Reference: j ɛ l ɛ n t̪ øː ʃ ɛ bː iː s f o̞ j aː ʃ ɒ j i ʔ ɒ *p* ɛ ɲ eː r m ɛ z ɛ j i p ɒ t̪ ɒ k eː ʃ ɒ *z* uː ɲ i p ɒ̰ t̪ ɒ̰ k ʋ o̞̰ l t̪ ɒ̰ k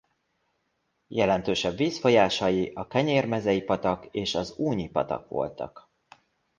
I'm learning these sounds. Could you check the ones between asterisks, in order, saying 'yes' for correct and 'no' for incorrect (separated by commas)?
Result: no, yes